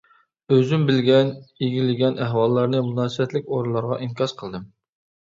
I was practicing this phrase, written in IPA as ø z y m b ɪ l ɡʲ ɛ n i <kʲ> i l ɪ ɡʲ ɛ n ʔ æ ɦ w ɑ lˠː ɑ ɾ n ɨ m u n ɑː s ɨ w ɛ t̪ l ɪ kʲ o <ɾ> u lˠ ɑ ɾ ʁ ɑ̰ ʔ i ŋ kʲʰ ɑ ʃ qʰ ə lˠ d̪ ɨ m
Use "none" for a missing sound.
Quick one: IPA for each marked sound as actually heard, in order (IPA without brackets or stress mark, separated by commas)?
ɡʲ, ɾ